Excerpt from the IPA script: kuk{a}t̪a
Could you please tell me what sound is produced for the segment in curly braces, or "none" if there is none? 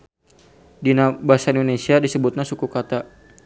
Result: a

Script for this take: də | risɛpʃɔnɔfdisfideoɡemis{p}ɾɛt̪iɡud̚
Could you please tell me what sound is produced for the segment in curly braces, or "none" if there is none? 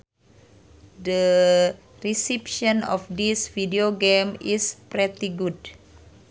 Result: p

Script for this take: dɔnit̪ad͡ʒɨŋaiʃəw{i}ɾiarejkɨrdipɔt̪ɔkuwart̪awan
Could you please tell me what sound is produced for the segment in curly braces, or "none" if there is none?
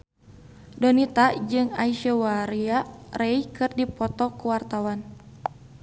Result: a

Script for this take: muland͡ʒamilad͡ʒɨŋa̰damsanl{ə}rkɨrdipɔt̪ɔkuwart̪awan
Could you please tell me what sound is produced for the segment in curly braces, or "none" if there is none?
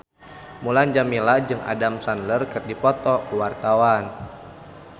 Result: ə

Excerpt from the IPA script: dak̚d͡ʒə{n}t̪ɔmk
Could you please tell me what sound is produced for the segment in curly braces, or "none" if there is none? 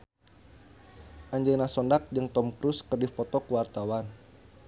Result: ŋ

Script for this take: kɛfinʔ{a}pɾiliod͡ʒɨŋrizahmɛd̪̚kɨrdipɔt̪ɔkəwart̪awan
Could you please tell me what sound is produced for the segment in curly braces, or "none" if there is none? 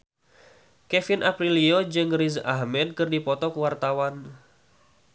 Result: a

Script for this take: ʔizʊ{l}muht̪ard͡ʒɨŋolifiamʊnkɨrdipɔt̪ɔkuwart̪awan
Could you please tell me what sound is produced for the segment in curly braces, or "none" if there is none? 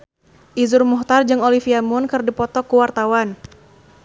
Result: r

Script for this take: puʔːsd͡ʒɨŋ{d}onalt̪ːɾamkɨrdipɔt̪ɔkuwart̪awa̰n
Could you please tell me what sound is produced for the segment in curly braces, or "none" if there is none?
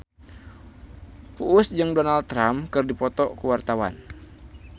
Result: d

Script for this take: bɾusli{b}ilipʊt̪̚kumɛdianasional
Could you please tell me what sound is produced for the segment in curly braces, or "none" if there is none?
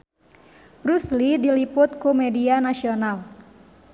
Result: d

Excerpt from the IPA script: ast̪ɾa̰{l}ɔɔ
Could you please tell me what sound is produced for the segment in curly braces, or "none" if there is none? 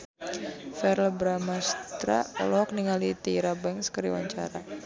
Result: l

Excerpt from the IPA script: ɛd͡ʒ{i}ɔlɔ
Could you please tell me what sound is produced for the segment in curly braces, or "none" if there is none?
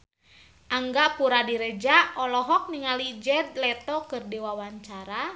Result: a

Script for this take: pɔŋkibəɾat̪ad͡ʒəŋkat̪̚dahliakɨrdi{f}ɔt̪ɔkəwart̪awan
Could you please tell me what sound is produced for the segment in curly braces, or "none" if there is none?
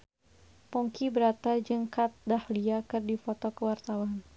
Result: f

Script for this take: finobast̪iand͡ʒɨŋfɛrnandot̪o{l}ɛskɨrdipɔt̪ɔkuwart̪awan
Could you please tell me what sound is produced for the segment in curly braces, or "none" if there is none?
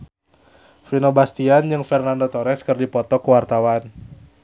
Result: ɾ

